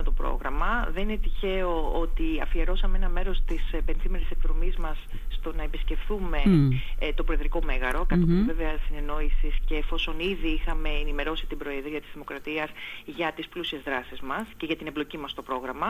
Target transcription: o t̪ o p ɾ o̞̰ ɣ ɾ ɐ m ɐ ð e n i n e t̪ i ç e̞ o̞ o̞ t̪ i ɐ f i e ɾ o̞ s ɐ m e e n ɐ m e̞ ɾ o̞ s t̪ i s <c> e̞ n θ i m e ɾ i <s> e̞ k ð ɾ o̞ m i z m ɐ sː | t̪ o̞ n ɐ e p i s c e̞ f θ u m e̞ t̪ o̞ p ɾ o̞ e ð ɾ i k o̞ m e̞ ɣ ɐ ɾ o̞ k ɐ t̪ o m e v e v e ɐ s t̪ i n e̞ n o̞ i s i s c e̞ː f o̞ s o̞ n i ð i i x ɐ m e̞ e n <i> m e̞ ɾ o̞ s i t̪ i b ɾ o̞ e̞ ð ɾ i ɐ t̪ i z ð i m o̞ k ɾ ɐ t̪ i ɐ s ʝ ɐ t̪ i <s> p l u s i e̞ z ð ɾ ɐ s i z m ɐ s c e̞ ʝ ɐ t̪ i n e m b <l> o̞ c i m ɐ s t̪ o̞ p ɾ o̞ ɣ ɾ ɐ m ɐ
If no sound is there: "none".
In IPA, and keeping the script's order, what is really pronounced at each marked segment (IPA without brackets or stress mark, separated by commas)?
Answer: p, s, i, s, l